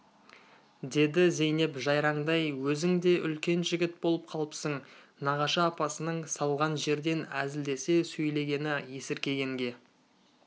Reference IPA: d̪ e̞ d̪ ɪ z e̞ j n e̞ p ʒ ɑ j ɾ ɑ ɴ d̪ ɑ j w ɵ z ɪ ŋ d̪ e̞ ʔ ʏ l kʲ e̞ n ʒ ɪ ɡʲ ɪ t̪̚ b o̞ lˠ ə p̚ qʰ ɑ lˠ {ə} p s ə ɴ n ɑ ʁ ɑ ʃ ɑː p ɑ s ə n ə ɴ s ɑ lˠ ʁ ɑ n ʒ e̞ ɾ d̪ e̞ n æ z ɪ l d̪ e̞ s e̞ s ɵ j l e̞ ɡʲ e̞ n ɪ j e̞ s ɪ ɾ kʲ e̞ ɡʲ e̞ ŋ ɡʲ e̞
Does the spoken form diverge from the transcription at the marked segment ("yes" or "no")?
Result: no